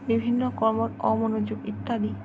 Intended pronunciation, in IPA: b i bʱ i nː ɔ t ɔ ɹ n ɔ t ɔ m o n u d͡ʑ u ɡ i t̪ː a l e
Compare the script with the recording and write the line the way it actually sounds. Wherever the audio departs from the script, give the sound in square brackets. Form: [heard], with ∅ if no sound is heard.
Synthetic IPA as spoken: b i bʱ i nː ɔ [k] ɔ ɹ [m] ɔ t ɔ m o n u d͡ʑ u ɡ i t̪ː a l [i]

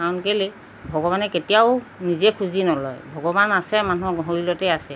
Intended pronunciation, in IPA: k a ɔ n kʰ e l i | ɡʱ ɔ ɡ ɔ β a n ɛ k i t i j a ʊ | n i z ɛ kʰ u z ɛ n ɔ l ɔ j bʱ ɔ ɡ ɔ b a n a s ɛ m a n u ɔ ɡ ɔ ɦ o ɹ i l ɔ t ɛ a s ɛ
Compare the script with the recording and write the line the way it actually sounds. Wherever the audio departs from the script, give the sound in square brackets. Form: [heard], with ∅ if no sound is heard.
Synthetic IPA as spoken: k a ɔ n [k] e l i | [bʱ] ɔ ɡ ɔ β a n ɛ k [e] t i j a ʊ | n i z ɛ kʰ u z [i] n ɔ l ɔ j bʱ ɔ ɡ ɔ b a n a s ɛ m a n u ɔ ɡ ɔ ɦ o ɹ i l ɔ t ɛ a s ɛ

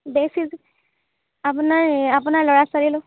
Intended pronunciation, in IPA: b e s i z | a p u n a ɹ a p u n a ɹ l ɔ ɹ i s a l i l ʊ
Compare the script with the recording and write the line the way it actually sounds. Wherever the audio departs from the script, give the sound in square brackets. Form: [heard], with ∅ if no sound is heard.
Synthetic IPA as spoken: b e s i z | a p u n a ɹ a p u n a ɹ l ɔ ɹ [a] s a [ɹ] i l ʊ

